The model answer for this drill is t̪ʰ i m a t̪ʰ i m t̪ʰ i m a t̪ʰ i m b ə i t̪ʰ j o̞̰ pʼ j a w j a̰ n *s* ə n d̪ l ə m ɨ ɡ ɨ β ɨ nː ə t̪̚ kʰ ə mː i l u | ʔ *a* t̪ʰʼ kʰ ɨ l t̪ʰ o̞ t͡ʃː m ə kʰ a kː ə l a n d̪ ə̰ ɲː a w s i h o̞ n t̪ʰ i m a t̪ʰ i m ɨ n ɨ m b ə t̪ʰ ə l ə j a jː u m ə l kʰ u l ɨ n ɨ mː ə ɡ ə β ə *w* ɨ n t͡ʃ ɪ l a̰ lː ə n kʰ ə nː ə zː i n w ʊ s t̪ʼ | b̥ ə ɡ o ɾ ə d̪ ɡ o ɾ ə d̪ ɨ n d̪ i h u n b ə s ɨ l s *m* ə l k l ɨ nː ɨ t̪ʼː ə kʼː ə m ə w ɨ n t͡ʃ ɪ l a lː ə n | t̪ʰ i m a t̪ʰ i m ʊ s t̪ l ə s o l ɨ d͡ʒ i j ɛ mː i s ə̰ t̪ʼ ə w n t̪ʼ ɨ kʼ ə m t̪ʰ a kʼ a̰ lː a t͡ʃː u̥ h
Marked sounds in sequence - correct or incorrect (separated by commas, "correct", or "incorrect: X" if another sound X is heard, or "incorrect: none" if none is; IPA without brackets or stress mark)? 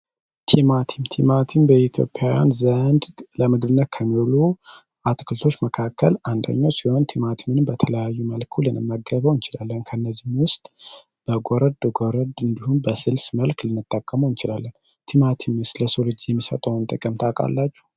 incorrect: z, correct, correct, correct